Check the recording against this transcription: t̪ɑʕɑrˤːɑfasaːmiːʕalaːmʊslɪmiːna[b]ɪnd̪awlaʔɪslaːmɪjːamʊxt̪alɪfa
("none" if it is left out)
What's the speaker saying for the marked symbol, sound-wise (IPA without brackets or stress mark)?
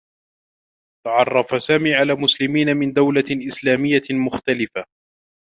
m